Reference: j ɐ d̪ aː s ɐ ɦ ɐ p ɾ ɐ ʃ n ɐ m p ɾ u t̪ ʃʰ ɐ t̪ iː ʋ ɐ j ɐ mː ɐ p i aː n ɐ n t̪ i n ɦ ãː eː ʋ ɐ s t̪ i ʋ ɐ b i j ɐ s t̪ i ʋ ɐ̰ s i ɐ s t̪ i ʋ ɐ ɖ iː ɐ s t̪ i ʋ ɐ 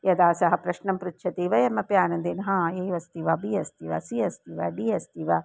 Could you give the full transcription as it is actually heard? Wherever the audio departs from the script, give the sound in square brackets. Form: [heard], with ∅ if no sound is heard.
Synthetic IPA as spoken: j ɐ d̪ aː s ɐ ɦ ɐ p ɾ ɐ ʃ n ɐ m p ɾ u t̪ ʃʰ ɐ t̪ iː ʋ ɐ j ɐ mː ɐ p [j] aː n ɐ n [d̪] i n ɦ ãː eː ʋ ɐ s t̪ i ʋ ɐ b i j ɐ s t̪ i ʋ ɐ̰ s i ɐ s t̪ i ʋ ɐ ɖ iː ɐ s t̪ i ʋ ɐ